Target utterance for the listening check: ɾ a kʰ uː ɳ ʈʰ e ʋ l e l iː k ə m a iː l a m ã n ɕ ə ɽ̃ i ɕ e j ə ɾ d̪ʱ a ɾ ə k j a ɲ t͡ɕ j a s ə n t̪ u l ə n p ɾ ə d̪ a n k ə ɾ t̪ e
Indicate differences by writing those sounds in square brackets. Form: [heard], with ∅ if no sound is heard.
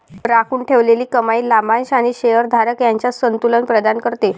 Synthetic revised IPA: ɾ a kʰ uː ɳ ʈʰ e ʋ l e l iː k ə m a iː l a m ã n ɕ [a] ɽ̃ i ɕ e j ə ɾ d̪ʱ a ɾ ə k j a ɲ t͡ɕ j a s ə n t̪ u l ə n p ɾ ə d̪ a n k ə ɾ t̪ e

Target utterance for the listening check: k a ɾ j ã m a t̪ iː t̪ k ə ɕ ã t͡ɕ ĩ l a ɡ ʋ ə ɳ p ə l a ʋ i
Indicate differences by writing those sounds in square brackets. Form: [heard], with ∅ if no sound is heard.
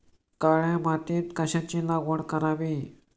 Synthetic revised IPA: k a [ɭ] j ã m a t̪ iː t̪ k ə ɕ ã t͡ɕ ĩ l a ɡ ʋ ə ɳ [k] ə [ɾ] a ʋ i

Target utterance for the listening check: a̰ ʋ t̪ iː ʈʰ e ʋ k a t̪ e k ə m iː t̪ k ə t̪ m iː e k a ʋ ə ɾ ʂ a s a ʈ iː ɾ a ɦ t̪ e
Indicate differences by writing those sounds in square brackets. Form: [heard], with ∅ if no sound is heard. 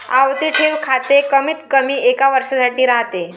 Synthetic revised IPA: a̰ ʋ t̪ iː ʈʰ e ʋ [kʰ] a t̪ e k ə m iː t̪ k ə [∅] m iː e k a ʋ ə ɾ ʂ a s a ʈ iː ɾ a ɦ t̪ e

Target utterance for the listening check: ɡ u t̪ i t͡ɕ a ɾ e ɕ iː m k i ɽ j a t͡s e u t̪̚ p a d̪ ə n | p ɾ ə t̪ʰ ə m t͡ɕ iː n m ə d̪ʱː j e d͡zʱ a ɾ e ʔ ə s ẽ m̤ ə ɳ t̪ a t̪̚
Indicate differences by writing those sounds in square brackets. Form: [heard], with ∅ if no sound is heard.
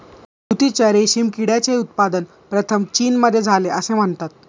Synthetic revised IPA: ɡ u t̪ i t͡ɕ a ɾ e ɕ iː m k i ɽ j a t͡s e u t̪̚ p a d̪ ə n | p ɾ ə t̪ʰ ə m t͡ɕ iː n m ə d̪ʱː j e d͡zʱ a [l] e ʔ ə s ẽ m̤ ə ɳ t̪ a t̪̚

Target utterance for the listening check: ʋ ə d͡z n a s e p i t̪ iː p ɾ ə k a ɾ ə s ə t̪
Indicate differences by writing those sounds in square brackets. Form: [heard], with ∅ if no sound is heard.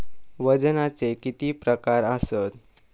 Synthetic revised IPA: ʋ ə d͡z n a [t͡s] e [k] i t̪ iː p ɾ ə k a ɾ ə s ə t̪

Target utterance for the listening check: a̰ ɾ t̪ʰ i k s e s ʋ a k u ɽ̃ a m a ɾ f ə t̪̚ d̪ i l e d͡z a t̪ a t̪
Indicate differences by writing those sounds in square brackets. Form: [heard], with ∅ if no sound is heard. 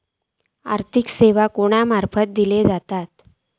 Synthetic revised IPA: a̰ ɾ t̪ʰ i k s e [∅] ʋ a k [o] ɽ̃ a m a ɾ f ə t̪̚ d̪ i l e d͡z a t̪ a t̪

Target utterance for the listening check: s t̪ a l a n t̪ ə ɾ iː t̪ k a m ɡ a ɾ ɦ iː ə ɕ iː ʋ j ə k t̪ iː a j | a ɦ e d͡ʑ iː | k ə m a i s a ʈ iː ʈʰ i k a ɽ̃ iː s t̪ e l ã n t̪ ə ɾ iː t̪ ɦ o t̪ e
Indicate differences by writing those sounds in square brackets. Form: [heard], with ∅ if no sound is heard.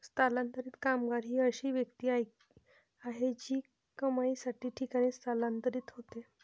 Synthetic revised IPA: s t̪ a l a n t̪ ə ɾ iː t̪ k a m ɡ a ɾ ɦ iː ə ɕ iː ʋ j ə k t̪ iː a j | a ɦ e d͡ʑ iː | k ə m a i s a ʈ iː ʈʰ i k a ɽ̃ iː s t̪ [a] l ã n t̪ ə ɾ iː t̪ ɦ o t̪ e

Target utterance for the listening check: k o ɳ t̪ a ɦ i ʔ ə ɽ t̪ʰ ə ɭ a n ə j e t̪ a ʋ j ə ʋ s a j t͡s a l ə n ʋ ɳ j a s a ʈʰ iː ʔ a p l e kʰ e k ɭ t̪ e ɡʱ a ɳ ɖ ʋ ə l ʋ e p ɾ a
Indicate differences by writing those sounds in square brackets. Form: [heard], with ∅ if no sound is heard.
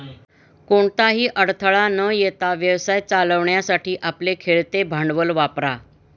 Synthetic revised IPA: k o ɳ t̪ a ɦ [iː] ʔ ə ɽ t̪ʰ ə ɭ a n ə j e t̪ a ʋ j ə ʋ s a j t͡s a l ə [∅] ʋ ɳ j a s a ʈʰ iː ʔ a p l e kʰ e [∅] ɭ t̪ e [bʱ] a ɳ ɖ ʋ ə l ʋ [a] p ɾ a

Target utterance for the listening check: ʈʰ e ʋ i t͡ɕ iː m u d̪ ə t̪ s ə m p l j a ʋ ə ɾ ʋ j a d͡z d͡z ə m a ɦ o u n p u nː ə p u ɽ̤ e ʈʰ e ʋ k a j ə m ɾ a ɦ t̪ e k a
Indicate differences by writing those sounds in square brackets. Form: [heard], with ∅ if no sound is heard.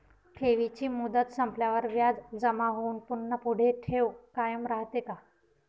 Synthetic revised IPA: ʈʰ e ʋ i t͡ɕ iː m u d̪ ə t̪ s ə m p l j a ʋ ə ɾ ʋ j a d͡z d͡z ə m a ɦ o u n p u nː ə p u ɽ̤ e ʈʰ e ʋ k a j ə m ɾ a ɦ t̪ e k a

